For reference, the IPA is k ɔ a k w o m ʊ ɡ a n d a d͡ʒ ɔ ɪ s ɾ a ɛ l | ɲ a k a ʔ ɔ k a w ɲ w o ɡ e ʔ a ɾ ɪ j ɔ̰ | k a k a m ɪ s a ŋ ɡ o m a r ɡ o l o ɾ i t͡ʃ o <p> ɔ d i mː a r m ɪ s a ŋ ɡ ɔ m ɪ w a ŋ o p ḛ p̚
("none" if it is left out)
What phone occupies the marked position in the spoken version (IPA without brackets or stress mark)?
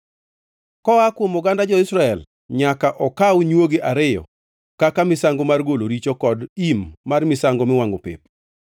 k